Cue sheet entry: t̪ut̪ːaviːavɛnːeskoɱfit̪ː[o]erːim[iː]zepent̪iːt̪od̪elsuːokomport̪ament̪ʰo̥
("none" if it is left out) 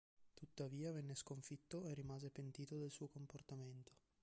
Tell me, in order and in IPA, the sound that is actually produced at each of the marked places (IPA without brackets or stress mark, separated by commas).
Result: o, aː